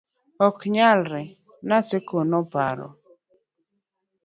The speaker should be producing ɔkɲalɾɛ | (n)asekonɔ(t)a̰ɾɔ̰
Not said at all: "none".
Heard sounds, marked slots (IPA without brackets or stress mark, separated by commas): n, p